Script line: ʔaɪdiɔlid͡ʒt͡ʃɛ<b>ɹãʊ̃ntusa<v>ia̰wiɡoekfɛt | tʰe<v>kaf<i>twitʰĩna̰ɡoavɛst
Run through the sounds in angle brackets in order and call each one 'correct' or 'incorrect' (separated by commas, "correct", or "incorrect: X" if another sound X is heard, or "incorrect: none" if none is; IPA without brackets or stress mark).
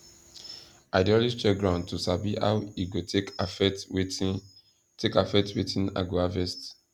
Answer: incorrect: ɡ, incorrect: b, incorrect: none, incorrect: ɛ